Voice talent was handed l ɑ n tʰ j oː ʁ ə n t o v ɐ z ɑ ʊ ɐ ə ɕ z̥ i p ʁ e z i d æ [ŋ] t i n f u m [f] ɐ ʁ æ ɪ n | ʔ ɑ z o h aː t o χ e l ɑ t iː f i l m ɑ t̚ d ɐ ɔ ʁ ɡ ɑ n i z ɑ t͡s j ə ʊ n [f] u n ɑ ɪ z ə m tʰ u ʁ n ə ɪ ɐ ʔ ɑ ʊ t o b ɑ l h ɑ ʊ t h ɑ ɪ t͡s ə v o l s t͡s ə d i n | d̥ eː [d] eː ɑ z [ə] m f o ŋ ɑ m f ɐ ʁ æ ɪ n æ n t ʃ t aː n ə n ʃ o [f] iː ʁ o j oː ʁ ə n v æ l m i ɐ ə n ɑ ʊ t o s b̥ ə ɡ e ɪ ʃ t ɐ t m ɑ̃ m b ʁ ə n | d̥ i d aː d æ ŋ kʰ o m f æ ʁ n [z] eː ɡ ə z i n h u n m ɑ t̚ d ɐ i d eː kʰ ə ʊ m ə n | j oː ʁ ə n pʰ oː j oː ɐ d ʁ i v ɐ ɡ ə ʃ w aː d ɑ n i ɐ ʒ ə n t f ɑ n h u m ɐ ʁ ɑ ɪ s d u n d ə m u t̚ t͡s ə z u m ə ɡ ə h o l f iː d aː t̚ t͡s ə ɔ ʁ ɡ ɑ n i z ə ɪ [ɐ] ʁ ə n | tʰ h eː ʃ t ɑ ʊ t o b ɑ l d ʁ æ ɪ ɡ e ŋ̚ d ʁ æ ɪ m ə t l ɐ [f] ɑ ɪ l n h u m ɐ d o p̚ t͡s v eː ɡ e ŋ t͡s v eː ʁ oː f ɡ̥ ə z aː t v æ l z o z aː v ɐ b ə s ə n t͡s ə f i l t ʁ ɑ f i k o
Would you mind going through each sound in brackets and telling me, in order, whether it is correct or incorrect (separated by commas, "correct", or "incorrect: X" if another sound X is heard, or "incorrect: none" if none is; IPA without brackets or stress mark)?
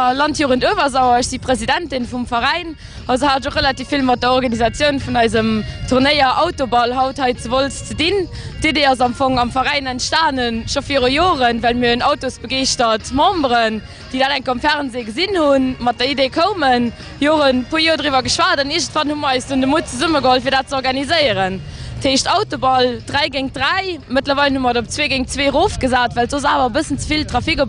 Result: incorrect: n, correct, correct, correct, incorrect: ɑ, correct, correct, incorrect: ə, incorrect: v